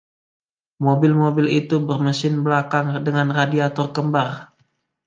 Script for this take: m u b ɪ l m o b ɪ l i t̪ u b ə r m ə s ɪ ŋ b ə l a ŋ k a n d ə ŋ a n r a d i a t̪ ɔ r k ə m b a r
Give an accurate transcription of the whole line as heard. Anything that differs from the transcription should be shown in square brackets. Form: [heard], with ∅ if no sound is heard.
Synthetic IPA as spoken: m [o] b ɪ l m o b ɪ l i t̪ u b ə r m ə s ɪ [n] b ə l a [∅] k a [ŋ] d ə ŋ a n r a d i a t̪ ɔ r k ə m b a r